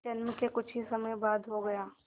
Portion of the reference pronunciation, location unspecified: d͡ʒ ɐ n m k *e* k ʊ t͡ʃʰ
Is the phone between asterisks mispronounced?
no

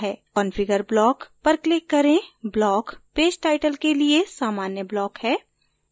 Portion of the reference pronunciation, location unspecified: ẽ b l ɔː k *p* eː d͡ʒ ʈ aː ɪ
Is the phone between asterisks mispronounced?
no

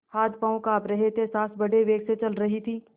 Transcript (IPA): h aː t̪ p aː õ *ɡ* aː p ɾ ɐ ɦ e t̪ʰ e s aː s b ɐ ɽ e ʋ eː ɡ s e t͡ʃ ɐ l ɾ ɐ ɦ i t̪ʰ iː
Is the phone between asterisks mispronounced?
yes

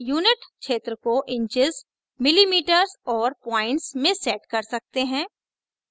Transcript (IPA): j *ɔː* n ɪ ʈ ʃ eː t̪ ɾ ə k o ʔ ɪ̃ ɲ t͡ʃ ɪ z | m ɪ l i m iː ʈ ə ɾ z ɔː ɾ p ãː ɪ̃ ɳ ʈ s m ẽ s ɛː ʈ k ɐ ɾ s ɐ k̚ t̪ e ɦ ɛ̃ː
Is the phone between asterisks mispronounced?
yes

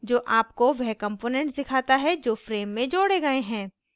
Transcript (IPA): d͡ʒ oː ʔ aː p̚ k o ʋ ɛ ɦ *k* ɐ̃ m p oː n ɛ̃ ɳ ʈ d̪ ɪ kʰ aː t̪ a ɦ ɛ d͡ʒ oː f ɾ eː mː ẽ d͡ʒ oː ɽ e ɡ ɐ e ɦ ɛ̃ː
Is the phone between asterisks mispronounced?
no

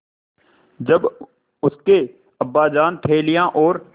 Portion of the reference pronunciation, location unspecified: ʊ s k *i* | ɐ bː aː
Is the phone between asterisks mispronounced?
yes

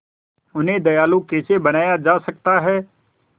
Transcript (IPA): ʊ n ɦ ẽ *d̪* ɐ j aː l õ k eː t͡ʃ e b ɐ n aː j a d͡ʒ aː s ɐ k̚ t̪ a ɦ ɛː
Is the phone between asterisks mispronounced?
no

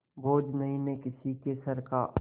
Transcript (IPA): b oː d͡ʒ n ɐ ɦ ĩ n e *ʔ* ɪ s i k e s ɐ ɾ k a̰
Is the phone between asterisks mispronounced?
yes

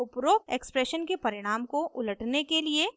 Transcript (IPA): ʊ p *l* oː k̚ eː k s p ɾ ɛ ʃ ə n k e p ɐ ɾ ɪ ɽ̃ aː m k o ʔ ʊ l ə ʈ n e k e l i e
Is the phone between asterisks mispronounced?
yes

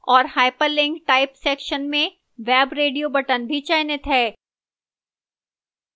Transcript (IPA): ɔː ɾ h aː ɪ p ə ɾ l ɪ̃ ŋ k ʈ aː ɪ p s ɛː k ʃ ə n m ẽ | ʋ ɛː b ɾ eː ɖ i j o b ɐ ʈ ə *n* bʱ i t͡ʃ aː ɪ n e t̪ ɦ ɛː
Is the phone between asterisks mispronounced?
no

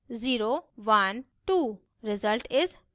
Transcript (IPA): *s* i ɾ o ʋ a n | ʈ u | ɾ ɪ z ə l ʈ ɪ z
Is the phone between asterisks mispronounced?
yes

